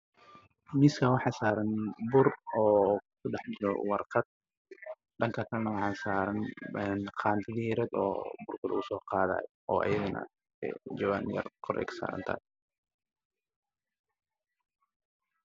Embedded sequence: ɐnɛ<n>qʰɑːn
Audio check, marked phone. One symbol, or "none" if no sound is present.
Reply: n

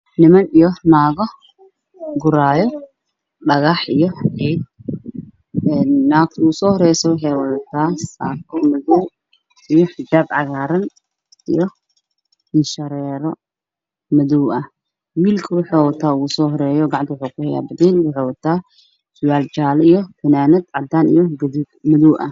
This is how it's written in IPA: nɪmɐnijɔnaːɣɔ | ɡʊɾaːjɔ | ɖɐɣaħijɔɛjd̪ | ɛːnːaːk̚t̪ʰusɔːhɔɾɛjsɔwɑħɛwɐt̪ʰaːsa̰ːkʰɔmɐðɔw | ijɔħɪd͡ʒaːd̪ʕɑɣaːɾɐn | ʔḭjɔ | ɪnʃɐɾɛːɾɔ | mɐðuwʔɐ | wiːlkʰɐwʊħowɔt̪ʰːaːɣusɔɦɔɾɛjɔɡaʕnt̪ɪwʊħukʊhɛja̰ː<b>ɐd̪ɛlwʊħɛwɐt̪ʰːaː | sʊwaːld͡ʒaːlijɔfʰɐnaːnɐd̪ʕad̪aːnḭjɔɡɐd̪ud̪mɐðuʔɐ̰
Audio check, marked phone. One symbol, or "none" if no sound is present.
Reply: b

